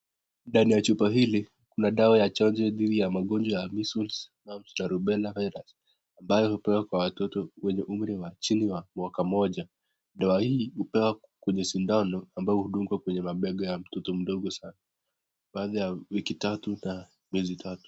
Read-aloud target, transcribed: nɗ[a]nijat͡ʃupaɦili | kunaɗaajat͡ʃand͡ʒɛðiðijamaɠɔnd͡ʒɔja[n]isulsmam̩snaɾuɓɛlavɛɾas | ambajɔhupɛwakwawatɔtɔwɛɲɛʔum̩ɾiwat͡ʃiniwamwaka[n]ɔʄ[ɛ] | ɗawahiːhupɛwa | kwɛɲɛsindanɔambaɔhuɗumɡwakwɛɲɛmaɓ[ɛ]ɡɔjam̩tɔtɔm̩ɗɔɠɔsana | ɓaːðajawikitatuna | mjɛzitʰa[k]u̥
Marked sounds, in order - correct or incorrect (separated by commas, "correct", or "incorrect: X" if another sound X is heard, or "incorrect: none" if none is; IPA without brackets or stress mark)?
correct, incorrect: m, incorrect: m, incorrect: a, correct, incorrect: t